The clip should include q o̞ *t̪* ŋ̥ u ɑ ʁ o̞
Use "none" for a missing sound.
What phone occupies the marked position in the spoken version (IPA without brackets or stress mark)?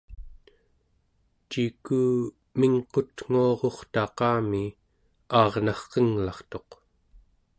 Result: t̪